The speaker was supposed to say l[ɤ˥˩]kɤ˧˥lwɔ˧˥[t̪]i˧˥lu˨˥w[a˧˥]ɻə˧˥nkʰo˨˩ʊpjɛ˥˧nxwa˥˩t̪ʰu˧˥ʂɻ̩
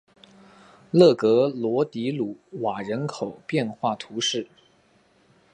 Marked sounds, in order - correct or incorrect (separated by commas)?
correct, correct, incorrect